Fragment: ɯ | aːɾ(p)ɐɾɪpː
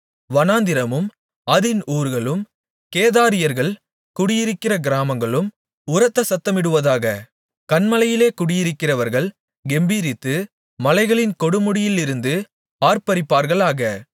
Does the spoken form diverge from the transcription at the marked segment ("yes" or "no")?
no